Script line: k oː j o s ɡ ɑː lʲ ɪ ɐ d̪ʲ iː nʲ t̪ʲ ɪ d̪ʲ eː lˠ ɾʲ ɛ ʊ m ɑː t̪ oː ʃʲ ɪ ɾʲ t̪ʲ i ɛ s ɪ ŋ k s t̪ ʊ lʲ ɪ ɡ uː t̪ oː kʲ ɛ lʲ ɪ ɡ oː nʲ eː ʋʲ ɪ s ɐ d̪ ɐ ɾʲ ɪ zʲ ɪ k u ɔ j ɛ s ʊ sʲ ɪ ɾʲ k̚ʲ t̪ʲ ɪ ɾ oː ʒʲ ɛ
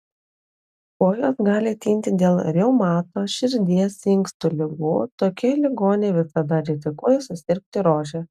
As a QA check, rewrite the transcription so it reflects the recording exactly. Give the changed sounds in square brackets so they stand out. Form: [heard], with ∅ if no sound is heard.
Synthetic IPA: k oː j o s ɡ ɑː lʲ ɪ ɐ [t̪ʲ] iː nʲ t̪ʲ ɪ d̪ʲ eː lˠ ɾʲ ɛ ʊ m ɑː t̪ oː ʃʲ ɪ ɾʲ [d̪ʲ] i ɛ s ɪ ŋ k s t̪ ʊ lʲ ɪ ɡ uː t̪ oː kʲ ɛ lʲ ɪ ɡ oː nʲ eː ʋʲ ɪ s ɐ d̪ ɐ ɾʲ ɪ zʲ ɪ k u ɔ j ɛ s ʊ sʲ ɪ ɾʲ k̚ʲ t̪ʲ ɪ ɾ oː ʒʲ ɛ

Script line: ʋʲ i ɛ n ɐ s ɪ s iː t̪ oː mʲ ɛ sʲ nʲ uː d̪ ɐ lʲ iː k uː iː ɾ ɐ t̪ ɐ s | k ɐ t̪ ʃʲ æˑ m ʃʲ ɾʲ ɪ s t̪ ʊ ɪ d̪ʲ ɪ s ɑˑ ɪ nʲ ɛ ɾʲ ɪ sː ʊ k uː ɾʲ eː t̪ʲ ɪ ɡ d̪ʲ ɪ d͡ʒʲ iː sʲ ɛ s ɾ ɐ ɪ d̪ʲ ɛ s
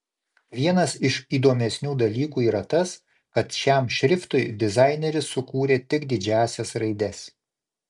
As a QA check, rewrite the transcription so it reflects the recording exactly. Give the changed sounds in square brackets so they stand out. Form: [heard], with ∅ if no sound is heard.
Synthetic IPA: ʋʲ i ɛ n ɐ s ɪ [ʃ] iː [d̪] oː mʲ ɛ sʲ nʲ uː d̪ ɐ lʲ iː k uː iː ɾ ɐ t̪ ɐ s | k ɐ t̪ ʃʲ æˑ m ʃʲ ɾʲ ɪ [f] t̪ ʊ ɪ d̪ʲ ɪ [z] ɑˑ ɪ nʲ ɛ ɾʲ ɪ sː ʊ k uː ɾʲ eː t̪ʲ ɪ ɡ d̪ʲ ɪ d͡ʒʲ [æː] sʲ ɛ s ɾ ɐ ɪ d̪ʲ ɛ s

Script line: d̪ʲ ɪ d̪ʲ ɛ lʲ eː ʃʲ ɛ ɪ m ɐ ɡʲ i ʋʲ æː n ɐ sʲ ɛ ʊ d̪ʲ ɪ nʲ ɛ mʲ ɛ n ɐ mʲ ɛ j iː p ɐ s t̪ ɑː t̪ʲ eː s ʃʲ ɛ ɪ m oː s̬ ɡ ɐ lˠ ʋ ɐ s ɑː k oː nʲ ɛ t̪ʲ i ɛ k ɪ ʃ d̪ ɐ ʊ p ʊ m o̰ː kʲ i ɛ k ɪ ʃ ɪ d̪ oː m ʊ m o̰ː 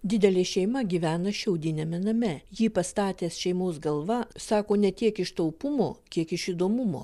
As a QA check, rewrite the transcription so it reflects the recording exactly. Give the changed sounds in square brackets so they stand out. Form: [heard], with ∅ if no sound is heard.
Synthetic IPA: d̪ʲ ɪ d̪ʲ ɛ lʲ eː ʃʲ ɛ ɪ m ɐ ɡʲ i ʋʲ æː n ɐ [ʃʲ] ɛ ʊ d̪ʲ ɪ nʲ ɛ mʲ ɛ n ɐ mʲ ɛ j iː p ɐ s t̪ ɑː t̪ʲ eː s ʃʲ ɛ ɪ m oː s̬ ɡ ɐ lˠ ʋ ɐ s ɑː k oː nʲ ɛ t̪ʲ i ɛ k ɪ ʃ [t̪] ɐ ʊ p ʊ m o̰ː kʲ i ɛ k ɪ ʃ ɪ d̪ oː m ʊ m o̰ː

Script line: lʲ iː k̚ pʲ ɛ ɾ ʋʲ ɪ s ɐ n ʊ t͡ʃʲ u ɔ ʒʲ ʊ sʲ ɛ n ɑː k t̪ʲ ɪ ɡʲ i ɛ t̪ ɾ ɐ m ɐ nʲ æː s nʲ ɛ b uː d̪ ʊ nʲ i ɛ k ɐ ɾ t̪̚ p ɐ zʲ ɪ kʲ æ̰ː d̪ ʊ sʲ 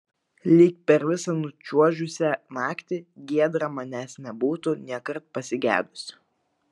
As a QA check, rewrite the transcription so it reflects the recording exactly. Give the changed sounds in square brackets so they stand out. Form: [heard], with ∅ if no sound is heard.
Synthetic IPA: lʲ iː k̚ pʲ ɛ ɾ ʋʲ ɪ s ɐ n ʊ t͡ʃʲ u ɔ ʒʲ ʊ sʲ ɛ n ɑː k t̪ʲ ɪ ɡʲ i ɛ [d̪] ɾ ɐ m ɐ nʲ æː s nʲ ɛ b uː [t̪] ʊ nʲ i ɛ k ɐ ɾ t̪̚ p ɐ [sʲ] ɪ [ɡʲ] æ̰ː d̪ ʊ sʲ

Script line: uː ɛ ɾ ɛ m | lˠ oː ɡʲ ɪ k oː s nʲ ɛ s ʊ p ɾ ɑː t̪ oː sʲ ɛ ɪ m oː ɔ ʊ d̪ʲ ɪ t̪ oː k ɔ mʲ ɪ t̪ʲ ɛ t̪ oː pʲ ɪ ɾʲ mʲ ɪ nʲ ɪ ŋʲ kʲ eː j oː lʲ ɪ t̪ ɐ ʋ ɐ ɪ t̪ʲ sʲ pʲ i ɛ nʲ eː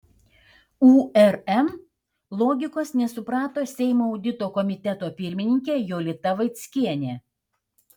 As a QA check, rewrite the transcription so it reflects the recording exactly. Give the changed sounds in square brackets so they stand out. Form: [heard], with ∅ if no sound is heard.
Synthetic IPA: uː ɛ ɾ ɛ m | lˠ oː ɡʲ ɪ k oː s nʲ ɛ s ʊ p ɾ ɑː t̪ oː sʲ ɛ ɪ m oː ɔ ʊ d̪ʲ ɪ t̪ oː k ɔ mʲ ɪ t̪ʲ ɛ t̪ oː pʲ ɪ ɾʲ mʲ ɪ nʲ ɪ ŋʲ kʲ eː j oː lʲ ɪ t̪ ɐ ʋ ɐ ɪ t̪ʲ sʲ [kʲ] i ɛ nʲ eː

